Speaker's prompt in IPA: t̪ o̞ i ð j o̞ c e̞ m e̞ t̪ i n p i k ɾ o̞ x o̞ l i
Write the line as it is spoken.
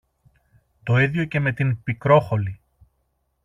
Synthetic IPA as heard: t̪ o̞ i ð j o̞ c e̞ m e̞ t̪ i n p i k ɾ o̞ x o̞ l i